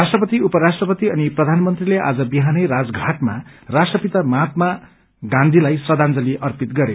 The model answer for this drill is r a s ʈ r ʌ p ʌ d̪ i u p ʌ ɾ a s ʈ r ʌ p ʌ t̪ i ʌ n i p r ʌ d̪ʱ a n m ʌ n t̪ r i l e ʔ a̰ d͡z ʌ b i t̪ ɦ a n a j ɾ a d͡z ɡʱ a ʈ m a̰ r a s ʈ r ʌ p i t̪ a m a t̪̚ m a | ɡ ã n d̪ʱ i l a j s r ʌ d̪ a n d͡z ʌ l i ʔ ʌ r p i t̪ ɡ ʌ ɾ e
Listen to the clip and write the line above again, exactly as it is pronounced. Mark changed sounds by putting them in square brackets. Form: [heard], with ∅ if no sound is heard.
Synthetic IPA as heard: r a s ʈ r ʌ p ʌ [t̪] i u p ʌ ɾ a s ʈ r ʌ p ʌ t̪ i ʌ n i p r ʌ d̪ʱ a n m ʌ n t̪ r i l e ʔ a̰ d͡z ʌ b i [∅] ɦ a n [ʌ] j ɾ a d͡z ɡʱ a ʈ m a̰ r a s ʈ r ʌ p i t̪ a m a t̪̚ m a | ɡ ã n d̪ʱ i l a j s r ʌ d̪ a n d͡z ʌ l i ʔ ʌ r p i t̪ ɡ ʌ ɾ e